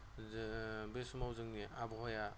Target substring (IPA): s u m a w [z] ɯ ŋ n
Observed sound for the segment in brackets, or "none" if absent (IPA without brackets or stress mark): z